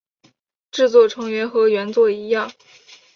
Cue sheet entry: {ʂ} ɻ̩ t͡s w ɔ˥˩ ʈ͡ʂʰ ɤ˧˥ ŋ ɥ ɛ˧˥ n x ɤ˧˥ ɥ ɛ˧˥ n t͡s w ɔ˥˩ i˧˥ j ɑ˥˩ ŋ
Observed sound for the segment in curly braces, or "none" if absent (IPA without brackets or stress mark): ʈ͡ʂ